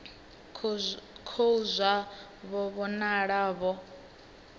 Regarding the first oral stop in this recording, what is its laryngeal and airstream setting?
aspirated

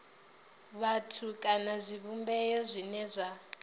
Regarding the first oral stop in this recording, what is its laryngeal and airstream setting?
aspirated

